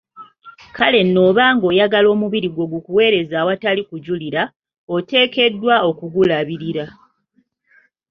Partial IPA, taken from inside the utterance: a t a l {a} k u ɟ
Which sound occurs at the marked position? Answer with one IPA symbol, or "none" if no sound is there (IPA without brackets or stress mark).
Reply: i